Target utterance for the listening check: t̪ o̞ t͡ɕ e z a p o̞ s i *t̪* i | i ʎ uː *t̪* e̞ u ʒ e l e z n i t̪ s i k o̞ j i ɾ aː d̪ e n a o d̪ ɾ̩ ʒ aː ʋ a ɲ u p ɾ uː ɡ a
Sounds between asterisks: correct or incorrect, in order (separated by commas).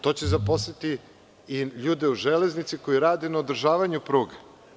correct, incorrect